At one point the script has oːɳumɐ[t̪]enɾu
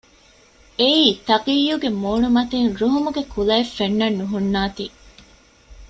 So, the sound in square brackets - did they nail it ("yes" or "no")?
yes